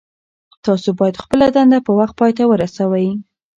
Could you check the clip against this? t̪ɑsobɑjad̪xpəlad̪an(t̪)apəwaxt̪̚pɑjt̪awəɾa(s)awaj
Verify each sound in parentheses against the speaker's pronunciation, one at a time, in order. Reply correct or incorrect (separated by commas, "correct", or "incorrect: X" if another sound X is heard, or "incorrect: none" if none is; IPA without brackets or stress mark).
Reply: incorrect: d̪, correct